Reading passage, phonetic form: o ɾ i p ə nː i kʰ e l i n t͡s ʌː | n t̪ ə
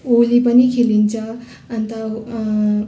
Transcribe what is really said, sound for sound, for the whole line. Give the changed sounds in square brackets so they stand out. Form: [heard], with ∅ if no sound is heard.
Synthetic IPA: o [l] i p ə [n] i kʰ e l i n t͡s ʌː | n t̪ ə